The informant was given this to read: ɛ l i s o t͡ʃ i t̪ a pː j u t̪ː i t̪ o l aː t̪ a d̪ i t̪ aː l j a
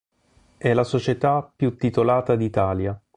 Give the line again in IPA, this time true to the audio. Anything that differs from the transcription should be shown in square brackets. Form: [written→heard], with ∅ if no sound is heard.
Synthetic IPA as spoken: ɛ l [i→a] s o t͡ʃ [i→e] t̪ a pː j u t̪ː i t̪ o l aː t̪ a d̪ i t̪ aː l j a